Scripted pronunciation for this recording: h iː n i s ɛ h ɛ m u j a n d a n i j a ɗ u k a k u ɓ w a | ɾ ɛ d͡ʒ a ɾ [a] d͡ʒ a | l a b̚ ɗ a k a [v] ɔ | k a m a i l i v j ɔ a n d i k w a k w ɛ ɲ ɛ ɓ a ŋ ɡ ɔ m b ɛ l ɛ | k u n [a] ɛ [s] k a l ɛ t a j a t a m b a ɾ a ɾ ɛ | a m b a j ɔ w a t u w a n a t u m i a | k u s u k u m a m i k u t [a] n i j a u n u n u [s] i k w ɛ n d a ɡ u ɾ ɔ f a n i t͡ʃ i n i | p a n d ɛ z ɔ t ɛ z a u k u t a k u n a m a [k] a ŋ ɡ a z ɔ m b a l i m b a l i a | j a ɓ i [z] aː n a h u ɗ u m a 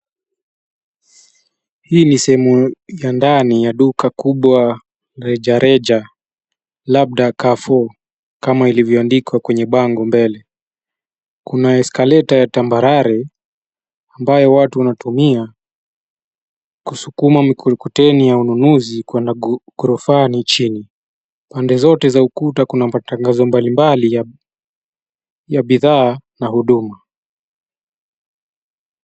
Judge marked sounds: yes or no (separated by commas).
no, no, yes, yes, no, no, no, no